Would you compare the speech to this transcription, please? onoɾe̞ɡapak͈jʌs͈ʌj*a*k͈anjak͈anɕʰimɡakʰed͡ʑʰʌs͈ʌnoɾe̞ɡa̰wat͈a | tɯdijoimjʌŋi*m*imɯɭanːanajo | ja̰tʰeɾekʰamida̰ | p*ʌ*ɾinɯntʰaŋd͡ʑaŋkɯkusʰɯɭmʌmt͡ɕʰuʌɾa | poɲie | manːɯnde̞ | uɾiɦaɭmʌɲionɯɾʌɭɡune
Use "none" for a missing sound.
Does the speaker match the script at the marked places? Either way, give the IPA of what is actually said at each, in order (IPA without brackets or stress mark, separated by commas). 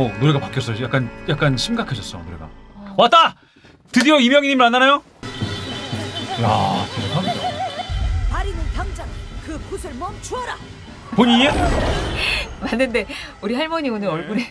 a, ɲ, a